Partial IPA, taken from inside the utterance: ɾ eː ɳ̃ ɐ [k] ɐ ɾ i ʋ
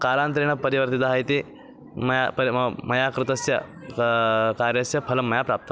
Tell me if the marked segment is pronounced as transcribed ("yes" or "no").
no